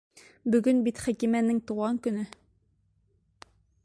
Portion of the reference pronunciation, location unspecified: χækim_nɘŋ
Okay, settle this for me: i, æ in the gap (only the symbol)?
æ